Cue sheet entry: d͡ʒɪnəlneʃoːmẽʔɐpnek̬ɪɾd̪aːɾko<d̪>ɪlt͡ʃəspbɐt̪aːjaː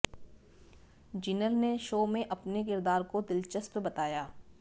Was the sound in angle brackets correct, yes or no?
yes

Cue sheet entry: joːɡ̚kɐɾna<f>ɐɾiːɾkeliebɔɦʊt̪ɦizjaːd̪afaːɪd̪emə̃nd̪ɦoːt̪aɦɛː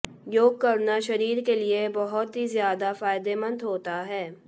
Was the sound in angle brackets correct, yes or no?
no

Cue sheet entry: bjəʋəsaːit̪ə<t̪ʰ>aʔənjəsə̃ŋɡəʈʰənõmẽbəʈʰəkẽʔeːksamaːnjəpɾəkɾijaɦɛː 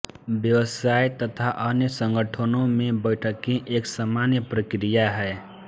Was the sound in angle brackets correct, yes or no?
yes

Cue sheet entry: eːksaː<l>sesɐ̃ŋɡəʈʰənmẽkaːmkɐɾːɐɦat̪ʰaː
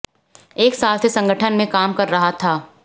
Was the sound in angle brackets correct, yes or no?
yes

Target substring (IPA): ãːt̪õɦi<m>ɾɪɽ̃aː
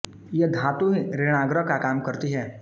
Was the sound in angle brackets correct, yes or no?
no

